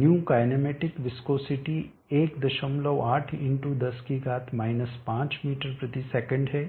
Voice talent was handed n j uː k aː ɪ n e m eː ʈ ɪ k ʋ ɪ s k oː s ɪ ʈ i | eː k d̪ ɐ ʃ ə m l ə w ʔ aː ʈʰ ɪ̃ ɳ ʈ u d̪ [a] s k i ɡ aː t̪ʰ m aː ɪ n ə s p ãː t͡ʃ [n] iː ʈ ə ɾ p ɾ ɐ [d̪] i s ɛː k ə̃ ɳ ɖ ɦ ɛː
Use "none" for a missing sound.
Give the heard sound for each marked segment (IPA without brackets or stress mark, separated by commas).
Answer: ɐ, m, t̪